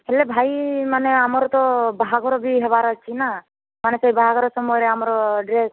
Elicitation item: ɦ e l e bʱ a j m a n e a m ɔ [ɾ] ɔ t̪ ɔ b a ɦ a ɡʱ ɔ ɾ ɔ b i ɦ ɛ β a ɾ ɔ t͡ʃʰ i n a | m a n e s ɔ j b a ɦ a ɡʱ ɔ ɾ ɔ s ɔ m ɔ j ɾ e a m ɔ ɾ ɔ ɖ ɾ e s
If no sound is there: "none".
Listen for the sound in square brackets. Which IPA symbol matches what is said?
ɾ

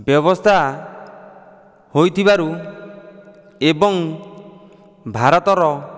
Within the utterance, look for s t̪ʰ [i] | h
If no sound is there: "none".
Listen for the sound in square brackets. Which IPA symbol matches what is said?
a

